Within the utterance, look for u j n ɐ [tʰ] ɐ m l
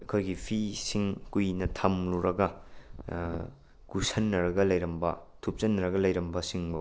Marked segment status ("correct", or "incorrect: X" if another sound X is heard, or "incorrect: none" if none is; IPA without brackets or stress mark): correct